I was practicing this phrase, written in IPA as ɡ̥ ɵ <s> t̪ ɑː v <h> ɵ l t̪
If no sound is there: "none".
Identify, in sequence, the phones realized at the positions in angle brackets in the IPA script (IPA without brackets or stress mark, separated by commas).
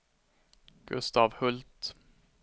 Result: s, h